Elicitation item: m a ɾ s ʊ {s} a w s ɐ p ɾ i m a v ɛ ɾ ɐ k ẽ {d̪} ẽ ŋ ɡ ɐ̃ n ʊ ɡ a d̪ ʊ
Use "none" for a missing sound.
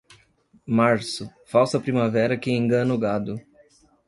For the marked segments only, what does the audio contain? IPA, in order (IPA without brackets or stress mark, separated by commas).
f, none